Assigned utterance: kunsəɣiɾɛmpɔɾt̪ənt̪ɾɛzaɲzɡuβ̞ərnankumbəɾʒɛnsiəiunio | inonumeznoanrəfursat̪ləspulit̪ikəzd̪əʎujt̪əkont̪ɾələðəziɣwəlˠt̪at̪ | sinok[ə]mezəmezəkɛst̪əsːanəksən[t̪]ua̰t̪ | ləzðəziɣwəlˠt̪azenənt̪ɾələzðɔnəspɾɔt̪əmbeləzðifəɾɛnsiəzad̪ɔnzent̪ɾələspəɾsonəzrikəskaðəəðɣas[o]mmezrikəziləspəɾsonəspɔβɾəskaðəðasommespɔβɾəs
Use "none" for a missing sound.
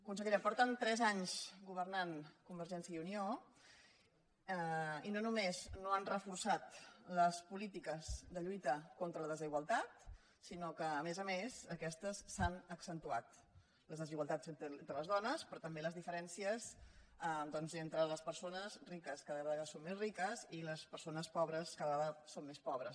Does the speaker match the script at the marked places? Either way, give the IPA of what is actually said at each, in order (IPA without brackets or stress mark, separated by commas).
əː, t̪, o